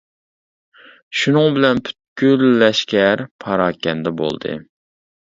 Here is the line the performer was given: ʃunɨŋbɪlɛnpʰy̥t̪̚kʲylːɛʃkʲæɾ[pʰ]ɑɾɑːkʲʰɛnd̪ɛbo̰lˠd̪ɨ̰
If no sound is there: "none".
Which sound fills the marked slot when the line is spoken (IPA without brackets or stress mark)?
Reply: pʰ